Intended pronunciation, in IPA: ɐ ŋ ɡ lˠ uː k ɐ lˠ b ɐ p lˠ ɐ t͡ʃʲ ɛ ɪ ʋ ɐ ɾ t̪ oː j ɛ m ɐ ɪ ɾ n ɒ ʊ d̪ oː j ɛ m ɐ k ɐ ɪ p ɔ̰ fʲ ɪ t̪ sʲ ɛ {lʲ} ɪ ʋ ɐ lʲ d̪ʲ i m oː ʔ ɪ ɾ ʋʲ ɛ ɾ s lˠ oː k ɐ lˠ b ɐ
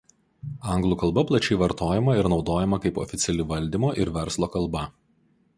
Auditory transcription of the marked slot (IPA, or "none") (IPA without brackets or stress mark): lʲ